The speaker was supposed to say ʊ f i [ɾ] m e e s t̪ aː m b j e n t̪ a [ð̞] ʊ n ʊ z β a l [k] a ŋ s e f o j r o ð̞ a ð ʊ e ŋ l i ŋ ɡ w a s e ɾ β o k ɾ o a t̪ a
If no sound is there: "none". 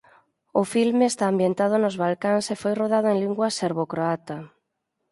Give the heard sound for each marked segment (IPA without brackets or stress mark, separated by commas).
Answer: l, ð̞, k